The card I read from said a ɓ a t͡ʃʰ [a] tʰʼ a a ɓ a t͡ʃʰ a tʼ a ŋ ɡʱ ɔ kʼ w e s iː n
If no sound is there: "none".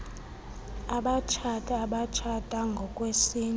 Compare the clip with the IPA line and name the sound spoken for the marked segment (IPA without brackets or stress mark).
a